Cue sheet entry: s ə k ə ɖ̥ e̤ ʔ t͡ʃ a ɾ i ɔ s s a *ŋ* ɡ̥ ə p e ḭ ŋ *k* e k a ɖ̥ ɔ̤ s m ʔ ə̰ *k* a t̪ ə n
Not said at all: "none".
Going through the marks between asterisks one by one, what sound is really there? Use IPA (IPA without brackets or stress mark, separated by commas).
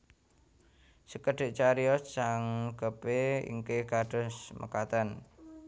ŋ, k, k